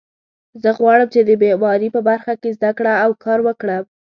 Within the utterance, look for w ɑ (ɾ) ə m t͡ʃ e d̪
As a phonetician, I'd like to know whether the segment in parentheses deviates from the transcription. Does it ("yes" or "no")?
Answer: yes